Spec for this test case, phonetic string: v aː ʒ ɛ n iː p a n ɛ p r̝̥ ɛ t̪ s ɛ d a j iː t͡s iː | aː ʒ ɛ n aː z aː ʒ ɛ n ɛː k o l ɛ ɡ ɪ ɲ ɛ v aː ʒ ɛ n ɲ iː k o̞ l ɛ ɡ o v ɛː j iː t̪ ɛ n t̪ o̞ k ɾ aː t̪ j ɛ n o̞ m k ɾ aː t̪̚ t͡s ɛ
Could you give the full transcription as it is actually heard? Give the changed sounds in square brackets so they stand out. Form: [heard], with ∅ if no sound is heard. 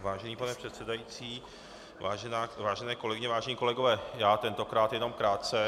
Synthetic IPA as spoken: v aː ʒ ɛ n iː p a n ɛ p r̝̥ ɛ t̪ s ɛ d a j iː t͡s iː | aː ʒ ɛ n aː [v] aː ʒ ɛ n ɛː k o l ɛ ɡ ɪ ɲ ɛ v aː ʒ ɛ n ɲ iː k o̞ l ɛ ɡ o v ɛː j [aː] t̪ ɛ n t̪ o̞ k ɾ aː t̪ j ɛ n o̞ m k ɾ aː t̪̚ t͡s ɛ